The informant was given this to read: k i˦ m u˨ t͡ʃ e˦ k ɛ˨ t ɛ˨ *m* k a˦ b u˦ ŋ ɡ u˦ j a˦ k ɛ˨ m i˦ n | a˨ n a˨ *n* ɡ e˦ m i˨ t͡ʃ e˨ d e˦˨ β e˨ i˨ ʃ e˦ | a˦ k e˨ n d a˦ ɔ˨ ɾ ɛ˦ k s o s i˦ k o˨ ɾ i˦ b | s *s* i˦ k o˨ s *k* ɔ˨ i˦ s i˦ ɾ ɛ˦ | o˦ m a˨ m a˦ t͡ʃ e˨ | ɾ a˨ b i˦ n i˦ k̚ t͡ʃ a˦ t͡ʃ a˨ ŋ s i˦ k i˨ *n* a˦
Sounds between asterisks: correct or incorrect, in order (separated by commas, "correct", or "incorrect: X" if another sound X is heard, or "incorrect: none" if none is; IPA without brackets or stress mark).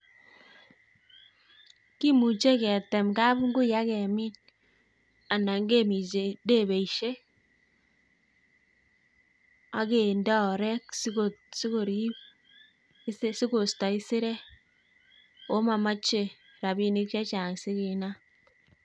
correct, incorrect: ŋ, correct, incorrect: t, correct